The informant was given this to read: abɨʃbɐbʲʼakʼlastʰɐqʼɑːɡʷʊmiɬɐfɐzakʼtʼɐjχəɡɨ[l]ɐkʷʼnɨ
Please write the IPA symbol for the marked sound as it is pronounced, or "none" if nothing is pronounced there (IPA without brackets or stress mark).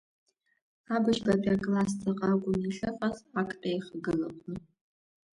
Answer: l